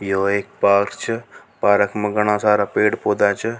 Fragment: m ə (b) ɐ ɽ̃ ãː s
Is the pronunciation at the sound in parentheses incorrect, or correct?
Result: incorrect